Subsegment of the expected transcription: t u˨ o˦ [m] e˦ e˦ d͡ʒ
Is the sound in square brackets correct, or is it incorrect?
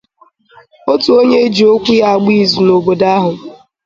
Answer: incorrect